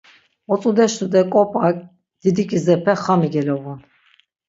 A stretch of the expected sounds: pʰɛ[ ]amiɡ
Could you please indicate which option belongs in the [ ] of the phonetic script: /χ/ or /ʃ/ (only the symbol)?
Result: χ